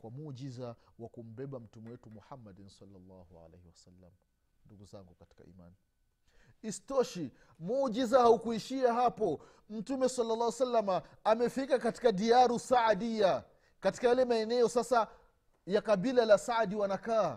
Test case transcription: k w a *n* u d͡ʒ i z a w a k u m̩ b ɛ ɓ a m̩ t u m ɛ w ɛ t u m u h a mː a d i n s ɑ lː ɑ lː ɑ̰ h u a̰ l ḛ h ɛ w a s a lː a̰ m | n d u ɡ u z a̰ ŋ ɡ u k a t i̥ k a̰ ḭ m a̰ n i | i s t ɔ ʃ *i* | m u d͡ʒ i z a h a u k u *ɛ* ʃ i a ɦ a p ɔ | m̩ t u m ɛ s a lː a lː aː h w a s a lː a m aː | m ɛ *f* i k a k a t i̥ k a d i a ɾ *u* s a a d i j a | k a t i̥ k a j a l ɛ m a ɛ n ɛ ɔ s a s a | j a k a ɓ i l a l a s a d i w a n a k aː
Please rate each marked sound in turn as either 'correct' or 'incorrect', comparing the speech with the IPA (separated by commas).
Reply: incorrect, correct, incorrect, correct, correct